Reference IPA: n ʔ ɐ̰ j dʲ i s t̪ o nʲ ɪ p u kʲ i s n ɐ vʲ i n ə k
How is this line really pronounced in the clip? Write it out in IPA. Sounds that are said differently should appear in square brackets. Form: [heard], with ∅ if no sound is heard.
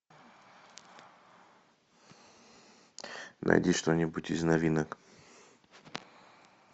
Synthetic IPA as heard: n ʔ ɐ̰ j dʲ i [ʂ] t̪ o nʲ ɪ [b] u [tʲ] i [z] n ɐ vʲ i n ə k